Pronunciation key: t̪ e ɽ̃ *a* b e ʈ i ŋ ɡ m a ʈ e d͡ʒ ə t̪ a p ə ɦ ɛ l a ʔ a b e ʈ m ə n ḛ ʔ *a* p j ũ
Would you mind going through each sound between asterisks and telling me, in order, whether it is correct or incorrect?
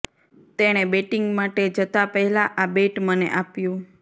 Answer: incorrect, correct

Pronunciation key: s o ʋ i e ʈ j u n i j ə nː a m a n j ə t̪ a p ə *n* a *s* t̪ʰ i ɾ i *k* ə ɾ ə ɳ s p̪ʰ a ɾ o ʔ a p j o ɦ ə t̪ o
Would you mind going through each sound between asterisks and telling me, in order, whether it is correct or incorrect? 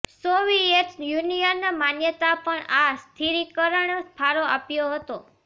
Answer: incorrect, correct, correct

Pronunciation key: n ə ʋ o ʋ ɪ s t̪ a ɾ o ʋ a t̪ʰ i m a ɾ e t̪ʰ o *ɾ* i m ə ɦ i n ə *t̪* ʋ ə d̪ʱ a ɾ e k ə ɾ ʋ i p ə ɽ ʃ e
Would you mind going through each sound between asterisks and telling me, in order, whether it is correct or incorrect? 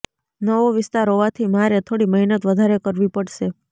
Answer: incorrect, correct

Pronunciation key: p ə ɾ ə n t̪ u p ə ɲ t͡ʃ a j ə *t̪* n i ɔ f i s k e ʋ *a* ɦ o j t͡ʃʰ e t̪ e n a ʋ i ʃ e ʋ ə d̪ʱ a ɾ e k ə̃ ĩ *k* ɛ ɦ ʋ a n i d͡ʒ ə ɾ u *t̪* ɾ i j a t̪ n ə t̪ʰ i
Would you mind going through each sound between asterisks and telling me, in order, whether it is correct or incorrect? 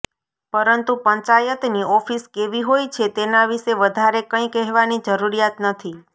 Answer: correct, incorrect, correct, incorrect

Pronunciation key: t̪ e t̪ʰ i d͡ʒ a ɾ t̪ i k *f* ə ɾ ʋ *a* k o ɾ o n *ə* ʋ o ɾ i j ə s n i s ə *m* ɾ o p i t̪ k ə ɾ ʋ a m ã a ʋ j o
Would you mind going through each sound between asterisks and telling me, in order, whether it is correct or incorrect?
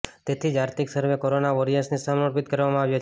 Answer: incorrect, incorrect, incorrect, correct

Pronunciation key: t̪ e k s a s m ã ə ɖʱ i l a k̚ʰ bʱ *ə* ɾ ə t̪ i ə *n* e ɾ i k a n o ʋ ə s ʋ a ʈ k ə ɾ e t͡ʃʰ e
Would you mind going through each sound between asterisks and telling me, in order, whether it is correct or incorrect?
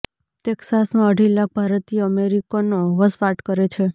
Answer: incorrect, incorrect

